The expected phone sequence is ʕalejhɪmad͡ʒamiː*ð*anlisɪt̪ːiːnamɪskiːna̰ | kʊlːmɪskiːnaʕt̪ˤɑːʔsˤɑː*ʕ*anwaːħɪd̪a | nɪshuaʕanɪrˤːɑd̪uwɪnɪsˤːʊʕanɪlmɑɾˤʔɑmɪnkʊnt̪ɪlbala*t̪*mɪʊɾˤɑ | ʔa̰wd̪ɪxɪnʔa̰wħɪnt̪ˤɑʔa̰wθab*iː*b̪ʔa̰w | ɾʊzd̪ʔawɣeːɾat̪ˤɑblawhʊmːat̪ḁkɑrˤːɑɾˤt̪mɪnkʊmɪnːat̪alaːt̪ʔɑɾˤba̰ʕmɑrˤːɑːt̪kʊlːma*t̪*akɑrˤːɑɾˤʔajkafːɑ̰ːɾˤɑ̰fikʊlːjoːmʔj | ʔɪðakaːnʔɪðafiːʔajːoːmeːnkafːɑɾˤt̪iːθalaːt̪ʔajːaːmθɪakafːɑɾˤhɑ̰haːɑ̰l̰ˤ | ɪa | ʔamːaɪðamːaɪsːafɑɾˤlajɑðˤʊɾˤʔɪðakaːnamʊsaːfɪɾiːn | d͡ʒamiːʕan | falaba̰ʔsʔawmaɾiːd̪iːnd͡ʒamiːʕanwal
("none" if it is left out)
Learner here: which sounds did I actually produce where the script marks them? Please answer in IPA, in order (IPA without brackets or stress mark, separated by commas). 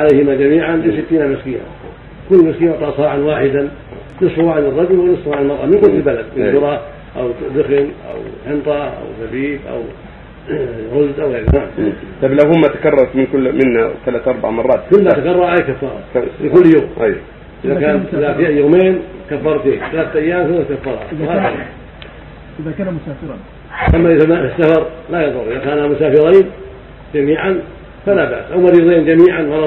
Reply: ʕ, ʕ, d̪, iː, t̪